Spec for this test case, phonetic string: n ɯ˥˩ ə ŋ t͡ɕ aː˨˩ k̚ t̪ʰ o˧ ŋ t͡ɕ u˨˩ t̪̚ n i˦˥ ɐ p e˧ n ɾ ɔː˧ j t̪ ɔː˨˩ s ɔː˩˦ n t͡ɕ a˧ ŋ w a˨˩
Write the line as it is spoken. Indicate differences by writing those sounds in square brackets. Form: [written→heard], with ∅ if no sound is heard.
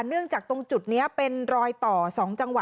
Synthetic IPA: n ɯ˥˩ ə ŋ t͡ɕ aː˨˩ k̚ [t̪ʰ→t̪] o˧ ŋ t͡ɕ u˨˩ t̪̚ n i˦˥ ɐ p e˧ n ɾ ɔː˧ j t̪ ɔː˨˩ s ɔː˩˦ [n→ŋ] t͡ɕ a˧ ŋ w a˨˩